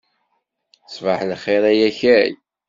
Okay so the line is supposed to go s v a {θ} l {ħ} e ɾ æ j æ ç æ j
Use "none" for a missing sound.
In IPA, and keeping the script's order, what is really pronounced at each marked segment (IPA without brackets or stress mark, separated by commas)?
ħ, χ